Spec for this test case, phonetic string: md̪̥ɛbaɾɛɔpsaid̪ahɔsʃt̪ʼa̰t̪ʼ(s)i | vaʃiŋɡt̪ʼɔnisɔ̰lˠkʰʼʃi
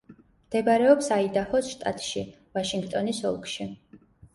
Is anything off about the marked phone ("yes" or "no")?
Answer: yes